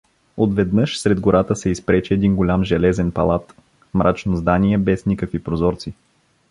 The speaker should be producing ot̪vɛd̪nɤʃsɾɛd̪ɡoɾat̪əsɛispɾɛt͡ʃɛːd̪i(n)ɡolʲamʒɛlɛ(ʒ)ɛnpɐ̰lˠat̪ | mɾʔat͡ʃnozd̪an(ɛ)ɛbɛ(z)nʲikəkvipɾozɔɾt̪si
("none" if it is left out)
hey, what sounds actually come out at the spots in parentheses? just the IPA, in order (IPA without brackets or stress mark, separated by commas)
n, z, i, s